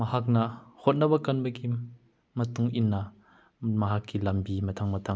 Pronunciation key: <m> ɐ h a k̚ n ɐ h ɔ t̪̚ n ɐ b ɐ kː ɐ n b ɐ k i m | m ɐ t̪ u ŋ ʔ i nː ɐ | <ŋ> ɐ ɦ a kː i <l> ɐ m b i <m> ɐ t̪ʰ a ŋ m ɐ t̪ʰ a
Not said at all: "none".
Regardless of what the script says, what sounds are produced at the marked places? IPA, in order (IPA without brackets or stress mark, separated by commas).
m, m, l, m